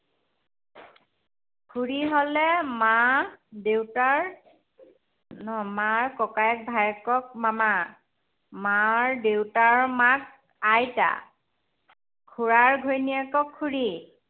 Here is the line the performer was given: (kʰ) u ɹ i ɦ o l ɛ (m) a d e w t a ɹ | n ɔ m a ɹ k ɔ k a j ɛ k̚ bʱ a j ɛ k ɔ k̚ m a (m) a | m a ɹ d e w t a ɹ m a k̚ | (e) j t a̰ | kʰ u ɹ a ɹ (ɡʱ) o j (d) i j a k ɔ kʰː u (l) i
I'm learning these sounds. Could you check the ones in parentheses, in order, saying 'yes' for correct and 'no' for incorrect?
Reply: yes, yes, yes, no, yes, no, no

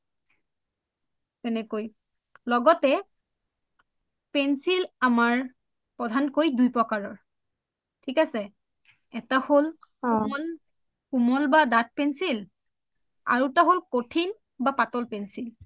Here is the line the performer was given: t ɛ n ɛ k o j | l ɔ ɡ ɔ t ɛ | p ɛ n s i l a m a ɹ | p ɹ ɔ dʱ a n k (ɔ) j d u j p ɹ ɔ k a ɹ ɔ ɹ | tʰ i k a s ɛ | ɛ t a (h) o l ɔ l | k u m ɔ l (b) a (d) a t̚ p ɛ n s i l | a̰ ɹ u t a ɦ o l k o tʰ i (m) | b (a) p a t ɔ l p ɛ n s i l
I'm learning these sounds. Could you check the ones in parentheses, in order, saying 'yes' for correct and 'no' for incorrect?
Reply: no, yes, yes, yes, no, yes

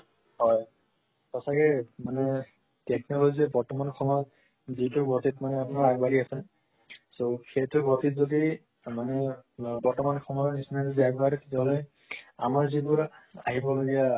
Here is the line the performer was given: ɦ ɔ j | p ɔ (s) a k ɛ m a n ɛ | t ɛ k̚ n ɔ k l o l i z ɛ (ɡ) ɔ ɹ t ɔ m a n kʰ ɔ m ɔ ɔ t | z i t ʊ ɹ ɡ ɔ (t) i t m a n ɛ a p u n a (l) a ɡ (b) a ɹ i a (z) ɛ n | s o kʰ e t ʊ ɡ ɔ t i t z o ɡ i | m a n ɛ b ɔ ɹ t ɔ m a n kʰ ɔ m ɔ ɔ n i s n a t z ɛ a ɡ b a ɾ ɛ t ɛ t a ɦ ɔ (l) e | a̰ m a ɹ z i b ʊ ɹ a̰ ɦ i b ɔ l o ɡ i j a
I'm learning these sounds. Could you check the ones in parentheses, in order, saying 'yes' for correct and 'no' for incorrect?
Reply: yes, no, yes, no, yes, no, yes

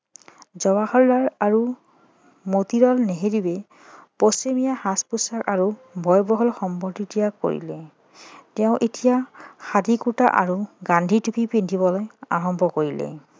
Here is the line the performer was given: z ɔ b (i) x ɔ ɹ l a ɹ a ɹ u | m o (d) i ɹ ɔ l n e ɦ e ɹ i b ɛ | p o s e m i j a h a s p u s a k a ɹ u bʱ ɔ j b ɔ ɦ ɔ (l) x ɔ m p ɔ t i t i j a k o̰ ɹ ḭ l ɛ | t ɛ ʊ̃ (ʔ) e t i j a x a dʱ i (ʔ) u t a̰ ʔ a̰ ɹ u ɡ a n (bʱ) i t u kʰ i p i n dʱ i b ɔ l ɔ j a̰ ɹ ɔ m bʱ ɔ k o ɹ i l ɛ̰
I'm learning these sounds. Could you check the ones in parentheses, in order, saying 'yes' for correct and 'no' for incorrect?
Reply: no, no, yes, yes, no, no

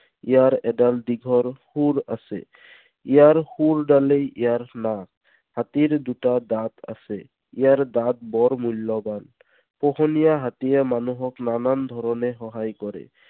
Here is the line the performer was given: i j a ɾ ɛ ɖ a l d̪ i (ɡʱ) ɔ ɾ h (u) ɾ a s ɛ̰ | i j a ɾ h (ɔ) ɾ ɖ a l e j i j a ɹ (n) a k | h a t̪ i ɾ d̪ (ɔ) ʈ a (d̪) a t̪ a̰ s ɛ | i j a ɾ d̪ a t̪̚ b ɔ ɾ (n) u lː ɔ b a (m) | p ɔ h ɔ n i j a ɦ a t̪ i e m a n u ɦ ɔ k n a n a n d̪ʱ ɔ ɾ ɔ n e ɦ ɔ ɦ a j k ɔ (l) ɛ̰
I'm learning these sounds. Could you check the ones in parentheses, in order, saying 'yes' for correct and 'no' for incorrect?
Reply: yes, yes, no, yes, no, yes, no, no, no

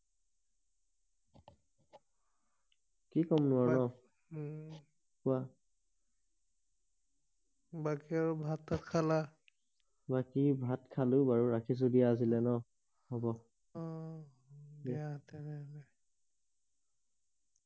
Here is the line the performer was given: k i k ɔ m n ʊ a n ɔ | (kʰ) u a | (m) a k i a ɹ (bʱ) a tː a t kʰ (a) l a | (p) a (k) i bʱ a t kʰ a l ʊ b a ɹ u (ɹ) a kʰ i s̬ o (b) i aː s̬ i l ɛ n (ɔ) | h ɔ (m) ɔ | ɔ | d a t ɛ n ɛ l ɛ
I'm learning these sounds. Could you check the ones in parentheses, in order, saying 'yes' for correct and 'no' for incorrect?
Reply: no, no, yes, yes, no, yes, yes, no, yes, no

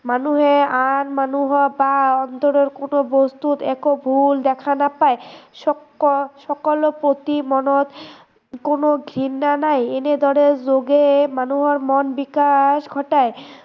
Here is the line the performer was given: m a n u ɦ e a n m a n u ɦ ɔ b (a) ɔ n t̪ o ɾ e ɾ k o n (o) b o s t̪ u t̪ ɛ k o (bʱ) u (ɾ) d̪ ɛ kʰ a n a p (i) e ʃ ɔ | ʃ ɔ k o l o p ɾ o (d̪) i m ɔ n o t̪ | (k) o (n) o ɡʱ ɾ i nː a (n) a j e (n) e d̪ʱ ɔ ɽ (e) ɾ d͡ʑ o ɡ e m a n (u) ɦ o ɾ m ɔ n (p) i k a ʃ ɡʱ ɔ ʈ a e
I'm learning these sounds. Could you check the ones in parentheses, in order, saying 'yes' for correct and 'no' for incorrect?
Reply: yes, yes, yes, no, no, no, yes, yes, yes, yes, yes, yes, no

